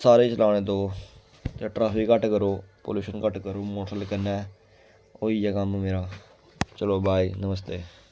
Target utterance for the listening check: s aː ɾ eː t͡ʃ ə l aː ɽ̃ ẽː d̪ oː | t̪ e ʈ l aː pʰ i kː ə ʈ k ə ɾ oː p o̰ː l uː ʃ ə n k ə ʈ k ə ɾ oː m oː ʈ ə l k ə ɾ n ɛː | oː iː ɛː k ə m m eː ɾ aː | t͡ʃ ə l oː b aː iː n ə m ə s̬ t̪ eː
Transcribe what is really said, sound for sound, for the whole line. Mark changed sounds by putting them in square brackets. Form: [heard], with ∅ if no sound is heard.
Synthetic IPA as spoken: s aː ɾ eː t͡ʃ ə l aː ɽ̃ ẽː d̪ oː | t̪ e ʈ [ɾ] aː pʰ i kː ə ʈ k ə ɾ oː p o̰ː l uː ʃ ə n k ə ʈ k ə ɾ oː m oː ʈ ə l k ə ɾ n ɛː | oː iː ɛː k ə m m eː ɾ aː | t͡ʃ ə l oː b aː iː n ə m ə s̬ t̪ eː

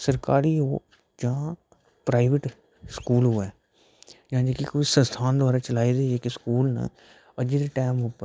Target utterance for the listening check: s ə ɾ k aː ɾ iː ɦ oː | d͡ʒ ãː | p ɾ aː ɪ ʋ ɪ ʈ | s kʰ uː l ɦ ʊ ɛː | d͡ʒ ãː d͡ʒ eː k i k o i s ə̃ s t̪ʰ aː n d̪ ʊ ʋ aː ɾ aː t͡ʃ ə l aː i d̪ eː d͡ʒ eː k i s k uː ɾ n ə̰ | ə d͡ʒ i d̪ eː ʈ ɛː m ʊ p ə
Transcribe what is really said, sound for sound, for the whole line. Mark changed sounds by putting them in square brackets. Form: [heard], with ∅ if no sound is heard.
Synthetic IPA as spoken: s ə ɾ k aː ɾ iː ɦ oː | d͡ʒ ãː | p ɾ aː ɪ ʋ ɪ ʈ | s [k] uː l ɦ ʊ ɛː | d͡ʒ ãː d͡ʒ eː k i k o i s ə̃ s t̪ʰ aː n d̪ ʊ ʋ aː ɾ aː t͡ʃ ə l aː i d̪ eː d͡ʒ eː k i s k uː [l] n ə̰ | ə d͡ʒ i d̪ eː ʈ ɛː m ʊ p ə

